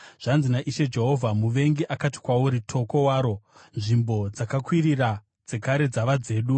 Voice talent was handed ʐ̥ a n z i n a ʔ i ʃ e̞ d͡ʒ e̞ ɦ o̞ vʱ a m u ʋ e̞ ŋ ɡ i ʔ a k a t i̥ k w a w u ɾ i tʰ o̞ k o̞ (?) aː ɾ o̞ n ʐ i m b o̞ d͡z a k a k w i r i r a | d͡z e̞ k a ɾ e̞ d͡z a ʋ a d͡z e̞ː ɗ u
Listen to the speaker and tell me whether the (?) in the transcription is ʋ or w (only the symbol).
w